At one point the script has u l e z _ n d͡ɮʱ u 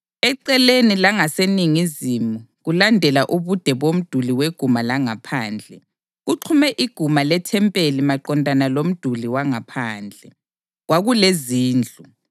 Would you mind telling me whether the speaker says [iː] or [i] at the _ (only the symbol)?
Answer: iː